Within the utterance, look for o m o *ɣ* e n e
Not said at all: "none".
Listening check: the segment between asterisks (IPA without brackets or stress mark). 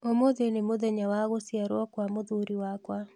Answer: ð